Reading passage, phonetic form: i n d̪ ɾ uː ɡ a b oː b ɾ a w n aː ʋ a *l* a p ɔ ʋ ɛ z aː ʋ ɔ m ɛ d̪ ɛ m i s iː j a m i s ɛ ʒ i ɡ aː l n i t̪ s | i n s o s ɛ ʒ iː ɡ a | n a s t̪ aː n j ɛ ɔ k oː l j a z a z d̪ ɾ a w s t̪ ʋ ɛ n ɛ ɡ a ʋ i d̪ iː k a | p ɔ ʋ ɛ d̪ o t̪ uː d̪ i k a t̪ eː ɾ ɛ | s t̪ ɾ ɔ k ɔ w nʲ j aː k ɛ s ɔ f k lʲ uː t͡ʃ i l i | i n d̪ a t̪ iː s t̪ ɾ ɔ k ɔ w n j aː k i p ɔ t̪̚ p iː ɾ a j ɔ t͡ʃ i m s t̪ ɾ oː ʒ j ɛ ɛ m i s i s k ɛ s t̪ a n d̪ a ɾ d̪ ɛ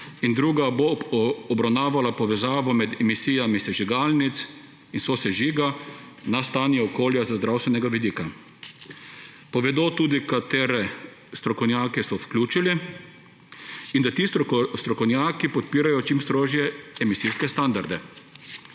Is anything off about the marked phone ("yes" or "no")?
no